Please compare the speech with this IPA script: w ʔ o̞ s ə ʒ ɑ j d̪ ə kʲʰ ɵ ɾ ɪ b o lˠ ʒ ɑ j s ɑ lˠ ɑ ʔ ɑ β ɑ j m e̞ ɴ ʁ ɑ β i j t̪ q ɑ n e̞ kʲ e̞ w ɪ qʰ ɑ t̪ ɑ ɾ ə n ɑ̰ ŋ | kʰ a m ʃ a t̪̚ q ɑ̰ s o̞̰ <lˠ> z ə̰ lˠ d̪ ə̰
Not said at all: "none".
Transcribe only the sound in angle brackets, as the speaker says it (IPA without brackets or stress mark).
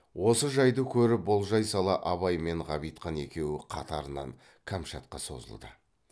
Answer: none